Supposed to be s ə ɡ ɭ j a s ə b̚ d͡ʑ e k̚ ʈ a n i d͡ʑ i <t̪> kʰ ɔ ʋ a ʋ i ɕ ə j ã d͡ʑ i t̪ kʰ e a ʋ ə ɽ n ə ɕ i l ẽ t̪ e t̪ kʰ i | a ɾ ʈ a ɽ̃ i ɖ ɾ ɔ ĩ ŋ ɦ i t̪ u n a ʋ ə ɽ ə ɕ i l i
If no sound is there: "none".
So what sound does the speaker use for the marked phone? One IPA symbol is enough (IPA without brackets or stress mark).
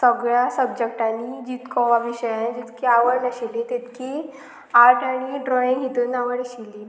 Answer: t̪